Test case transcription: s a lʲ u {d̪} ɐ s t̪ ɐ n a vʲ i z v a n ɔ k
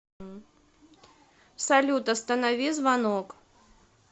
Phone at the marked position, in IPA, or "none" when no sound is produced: t̪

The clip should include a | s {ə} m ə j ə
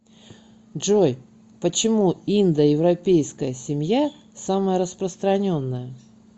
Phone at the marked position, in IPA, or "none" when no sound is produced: a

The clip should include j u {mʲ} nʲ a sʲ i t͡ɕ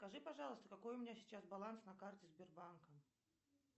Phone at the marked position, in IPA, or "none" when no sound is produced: mʲ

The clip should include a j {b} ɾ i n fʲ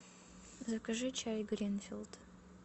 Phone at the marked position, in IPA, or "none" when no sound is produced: ɡ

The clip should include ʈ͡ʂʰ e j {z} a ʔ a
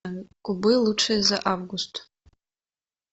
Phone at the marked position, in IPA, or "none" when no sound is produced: z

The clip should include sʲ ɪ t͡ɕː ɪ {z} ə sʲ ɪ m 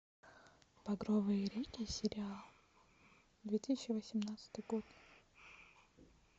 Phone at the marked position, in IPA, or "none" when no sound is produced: v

